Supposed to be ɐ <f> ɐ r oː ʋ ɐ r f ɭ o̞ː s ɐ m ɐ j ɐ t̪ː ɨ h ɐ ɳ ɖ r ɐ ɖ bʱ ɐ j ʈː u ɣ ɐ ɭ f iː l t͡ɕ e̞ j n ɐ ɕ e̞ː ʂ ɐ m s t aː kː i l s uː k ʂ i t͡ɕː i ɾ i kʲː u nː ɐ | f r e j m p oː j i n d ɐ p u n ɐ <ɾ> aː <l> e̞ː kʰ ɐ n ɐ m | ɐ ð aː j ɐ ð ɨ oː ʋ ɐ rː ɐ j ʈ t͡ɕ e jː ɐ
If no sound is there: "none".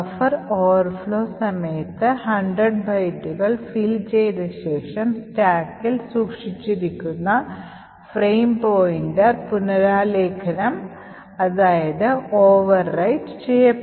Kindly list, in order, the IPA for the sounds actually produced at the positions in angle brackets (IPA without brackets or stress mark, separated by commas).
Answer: f, ɾ, l